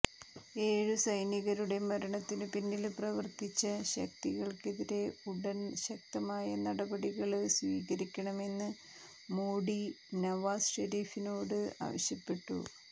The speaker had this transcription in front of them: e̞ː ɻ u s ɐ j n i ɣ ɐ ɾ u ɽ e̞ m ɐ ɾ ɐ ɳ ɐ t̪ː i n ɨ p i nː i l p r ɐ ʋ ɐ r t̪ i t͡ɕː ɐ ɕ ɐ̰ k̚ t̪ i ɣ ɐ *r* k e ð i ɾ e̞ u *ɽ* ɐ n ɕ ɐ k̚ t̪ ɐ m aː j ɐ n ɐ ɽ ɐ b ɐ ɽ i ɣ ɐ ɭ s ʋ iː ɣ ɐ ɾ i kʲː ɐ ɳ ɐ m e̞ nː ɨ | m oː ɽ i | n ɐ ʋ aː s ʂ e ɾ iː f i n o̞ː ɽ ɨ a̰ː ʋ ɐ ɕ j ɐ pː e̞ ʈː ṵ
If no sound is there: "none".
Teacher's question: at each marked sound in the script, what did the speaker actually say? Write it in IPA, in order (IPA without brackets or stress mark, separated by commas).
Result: ɭ, ɽ